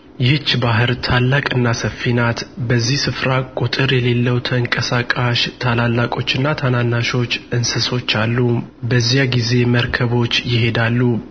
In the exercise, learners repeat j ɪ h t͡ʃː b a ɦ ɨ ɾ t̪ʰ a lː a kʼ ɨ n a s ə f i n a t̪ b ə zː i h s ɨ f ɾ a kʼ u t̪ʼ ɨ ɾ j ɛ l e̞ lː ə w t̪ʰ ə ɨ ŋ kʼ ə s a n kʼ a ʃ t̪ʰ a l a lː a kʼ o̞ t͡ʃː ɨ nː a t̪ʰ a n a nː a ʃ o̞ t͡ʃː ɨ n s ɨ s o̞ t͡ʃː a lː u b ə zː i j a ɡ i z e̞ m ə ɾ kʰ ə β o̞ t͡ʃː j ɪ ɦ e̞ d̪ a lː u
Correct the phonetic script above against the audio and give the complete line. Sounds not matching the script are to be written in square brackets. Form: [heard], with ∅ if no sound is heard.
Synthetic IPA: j ɪ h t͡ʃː b a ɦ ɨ ɾ t̪ʰ a lː a kʼ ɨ [nː] a s ə f i n a t̪ b ə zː i h s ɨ f ɾ a kʼ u t̪ʼ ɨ ɾ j ɛ l e̞ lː ə w t̪ʰ ə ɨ ŋ kʼ ə s a [∅] kʼ a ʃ t̪ʰ a l a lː a kʼ o̞ t͡ʃː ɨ nː a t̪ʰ a n a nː a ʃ o̞ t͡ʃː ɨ n s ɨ s o̞ t͡ʃː a lː u b ə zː i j a ɡ i z e̞ m ə ɾ kʰ ə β o̞ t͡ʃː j ɪ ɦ e̞ d̪ a lː u